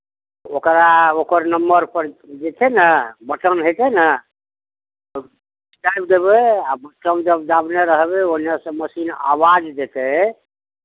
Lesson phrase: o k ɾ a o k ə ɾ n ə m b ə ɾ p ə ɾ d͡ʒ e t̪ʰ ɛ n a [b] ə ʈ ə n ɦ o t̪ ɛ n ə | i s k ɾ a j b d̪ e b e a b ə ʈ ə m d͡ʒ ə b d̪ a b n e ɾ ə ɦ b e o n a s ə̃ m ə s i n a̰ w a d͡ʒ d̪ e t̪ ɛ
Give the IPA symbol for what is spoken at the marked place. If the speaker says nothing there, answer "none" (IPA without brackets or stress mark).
b